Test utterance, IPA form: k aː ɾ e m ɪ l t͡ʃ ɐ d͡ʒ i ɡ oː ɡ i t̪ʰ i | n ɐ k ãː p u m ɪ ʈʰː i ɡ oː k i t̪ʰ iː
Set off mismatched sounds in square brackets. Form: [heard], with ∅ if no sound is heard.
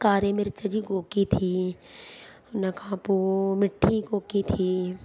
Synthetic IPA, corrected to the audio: k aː ɾ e m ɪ [ɾ] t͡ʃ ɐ d͡ʒ i ɡ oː [k] i t̪ʰ i | n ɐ k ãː p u m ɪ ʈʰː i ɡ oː k i t̪ʰ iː